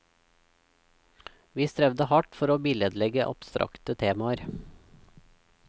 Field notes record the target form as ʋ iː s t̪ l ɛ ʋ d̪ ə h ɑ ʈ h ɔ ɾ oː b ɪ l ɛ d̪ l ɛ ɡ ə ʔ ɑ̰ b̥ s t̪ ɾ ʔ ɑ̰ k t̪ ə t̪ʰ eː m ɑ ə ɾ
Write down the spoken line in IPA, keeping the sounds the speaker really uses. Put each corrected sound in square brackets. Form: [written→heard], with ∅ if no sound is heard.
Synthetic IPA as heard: ʋ iː s t̪ [l→ɾ] ɛ ʋ d̪ ə h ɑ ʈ [h→f] ɔ ɾ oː b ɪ l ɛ d̪ l ɛ ɡ ə ʔ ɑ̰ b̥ s t̪ ɾ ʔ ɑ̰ k t̪ ə t̪ʰ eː m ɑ ə ɾ